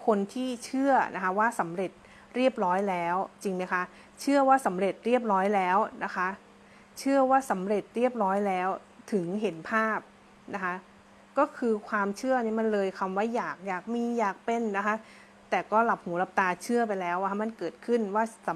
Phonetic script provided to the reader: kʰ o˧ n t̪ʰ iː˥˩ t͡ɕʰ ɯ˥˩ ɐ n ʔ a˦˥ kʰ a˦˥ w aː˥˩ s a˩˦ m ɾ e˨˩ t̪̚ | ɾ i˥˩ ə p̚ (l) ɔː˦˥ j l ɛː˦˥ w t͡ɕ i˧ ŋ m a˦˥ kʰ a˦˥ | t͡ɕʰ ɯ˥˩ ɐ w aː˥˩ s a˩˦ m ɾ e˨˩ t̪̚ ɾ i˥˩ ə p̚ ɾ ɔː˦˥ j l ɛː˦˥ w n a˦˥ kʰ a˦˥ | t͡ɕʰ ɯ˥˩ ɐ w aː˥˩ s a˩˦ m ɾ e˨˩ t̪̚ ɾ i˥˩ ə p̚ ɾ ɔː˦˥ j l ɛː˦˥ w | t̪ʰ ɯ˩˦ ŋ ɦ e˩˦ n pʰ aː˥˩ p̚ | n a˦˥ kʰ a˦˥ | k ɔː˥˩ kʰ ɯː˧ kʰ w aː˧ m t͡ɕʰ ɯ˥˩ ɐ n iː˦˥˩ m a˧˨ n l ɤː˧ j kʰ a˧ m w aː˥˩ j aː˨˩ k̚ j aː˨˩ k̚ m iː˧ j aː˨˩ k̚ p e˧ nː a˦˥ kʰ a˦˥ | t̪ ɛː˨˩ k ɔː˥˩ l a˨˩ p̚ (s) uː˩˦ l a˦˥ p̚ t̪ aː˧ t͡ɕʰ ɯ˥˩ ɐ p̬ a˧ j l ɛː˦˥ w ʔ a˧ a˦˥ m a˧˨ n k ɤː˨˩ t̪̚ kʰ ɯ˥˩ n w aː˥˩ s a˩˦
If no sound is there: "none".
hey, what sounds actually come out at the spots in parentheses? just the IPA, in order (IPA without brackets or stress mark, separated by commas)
ɾ, h